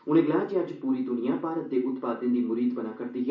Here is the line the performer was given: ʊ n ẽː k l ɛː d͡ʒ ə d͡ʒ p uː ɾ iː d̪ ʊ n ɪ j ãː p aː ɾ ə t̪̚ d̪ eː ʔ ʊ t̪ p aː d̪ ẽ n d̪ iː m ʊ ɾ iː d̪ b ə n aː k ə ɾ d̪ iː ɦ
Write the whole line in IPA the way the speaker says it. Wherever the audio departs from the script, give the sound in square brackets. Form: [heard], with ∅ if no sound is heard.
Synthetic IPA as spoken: ʊ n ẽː [ɡ] l [aː] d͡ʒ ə d͡ʒ p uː ɾ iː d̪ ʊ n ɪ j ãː p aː ɾ ə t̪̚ d̪ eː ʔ ʊ t̪ p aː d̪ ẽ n d̪ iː m ʊ ɾ iː d̪ b ə n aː k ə ɾ d̪ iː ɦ